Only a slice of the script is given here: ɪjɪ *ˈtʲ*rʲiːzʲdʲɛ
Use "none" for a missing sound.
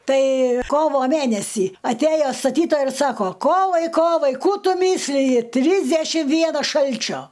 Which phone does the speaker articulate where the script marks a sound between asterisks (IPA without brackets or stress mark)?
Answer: tʲ